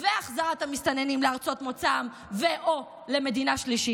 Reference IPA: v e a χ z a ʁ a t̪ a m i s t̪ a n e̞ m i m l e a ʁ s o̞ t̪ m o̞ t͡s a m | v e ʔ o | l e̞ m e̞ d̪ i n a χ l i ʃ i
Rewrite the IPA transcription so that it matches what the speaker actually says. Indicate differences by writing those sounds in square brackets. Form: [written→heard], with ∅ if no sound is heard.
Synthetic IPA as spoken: v e a χ z a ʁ a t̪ a m i s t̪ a n e̞ [m→n] i m l e a ʁ [s→t͡s] o̞ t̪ m o̞ t͡s a m | v e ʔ o | l e̞ m e̞ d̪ i n a [χ→ʃ] l i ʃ i

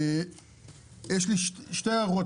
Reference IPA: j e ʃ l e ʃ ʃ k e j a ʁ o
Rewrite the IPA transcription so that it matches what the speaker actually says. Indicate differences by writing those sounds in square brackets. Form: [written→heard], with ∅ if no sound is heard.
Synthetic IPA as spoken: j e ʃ l [e→i] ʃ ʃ [k→t] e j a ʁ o

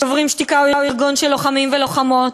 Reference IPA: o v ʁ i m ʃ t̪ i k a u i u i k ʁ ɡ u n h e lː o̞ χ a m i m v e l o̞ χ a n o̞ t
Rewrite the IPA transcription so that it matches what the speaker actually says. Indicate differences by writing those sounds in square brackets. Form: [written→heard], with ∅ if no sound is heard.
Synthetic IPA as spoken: o v ʁ i m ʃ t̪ i k a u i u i [k→∅] ʁ ɡ u n [h→ʃ] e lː o̞ χ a m i m v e l o̞ χ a [n→m] o̞ t

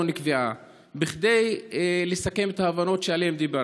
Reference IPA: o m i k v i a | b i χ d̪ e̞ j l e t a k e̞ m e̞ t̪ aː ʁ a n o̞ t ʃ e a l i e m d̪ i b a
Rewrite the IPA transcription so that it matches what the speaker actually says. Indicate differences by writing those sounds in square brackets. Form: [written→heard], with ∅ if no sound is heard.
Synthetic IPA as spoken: o [m→n] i k v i a | b i χ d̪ e̞ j l e [t→s] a k e̞ m e̞ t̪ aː [ʁ→v] a n o̞ t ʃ e a l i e m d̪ i b a

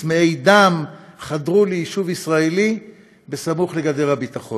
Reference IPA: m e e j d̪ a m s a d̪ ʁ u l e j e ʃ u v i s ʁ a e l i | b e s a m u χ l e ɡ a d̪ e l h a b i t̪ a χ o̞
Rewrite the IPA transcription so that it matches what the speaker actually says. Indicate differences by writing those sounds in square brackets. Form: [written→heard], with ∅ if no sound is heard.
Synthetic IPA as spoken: m e e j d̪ a m [s→χ] a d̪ ʁ u l e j [e→i] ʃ u v i s ʁ a e l i | b e s a m u χ l e ɡ a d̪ e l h a b i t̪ a χ o̞

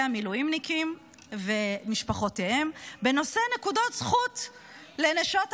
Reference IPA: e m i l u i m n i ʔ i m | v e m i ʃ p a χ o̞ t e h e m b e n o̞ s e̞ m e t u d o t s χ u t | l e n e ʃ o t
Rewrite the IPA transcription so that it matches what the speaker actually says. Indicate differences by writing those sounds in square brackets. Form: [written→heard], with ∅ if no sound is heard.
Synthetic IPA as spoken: [e→a] m i l u i m n i [ʔ→k] i m | v e m i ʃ p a χ o̞ t e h e m b e n o̞ s e̞ [m→n] e [t→k] u d o t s χ u t | l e n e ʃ o t

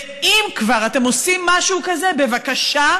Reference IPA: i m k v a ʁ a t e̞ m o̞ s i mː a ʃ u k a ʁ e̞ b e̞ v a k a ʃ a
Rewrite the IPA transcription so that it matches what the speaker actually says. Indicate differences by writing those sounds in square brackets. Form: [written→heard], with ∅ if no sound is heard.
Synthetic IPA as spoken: i m k v a ʁ a t e̞ m o̞ s i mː a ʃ u k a [ʁ→z] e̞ b e̞ v a k a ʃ a

